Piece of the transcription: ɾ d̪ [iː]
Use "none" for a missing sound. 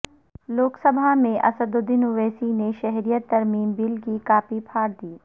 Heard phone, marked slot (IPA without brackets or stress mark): iː